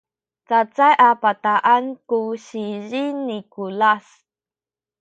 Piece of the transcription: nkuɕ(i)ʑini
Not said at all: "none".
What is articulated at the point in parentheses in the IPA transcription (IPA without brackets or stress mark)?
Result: i